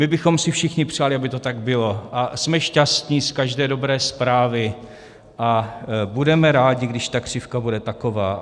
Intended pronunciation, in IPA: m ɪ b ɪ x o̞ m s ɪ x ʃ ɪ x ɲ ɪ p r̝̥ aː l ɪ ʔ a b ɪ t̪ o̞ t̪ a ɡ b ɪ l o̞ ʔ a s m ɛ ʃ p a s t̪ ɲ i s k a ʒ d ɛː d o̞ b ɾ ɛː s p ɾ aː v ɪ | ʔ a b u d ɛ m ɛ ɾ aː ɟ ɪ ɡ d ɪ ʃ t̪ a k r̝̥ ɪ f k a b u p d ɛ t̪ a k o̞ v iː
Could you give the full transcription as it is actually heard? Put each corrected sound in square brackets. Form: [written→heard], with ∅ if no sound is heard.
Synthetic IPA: m ɪ b ɪ x o̞ m s ɪ [x→f] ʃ ɪ x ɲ ɪ p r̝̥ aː l ɪ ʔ a b ɪ t̪ o̞ t̪ a ɡ b ɪ l o̞ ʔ a s m ɛ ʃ [p→c] a s t̪ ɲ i s k a ʒ d ɛː d o̞ b ɾ ɛː s p ɾ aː v ɪ | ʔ a b u d ɛ m ɛ ɾ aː ɟ ɪ ɡ d ɪ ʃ t̪ a k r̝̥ ɪ f k a b u [p→∅] d ɛ t̪ a k o̞ v [iː→aː]